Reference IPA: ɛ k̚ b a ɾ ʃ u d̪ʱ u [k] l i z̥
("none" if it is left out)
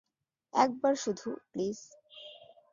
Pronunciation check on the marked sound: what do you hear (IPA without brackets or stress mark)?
p